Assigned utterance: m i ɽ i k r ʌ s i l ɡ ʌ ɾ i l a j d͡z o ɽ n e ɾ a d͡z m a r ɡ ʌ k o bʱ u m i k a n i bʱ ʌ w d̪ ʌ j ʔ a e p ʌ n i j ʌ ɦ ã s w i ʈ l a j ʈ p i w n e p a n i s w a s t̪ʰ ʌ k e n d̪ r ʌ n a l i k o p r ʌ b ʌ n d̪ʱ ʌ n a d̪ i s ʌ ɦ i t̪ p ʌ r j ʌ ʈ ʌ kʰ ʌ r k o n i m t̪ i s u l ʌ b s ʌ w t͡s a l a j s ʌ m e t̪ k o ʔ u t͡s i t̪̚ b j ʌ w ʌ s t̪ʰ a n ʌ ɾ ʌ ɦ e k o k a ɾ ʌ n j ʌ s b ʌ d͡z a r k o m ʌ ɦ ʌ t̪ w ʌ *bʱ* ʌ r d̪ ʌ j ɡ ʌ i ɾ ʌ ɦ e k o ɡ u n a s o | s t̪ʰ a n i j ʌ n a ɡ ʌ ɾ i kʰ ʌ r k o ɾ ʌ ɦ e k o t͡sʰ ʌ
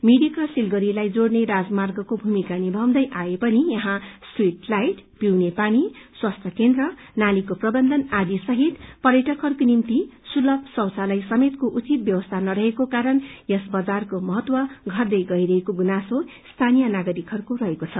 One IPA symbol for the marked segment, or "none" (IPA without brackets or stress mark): ɡʱ